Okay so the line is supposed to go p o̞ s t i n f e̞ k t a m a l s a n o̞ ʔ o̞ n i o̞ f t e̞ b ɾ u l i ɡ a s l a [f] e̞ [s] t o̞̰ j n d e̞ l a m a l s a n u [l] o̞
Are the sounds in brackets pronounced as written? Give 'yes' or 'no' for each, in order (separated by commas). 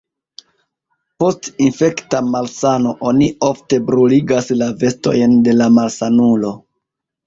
no, yes, yes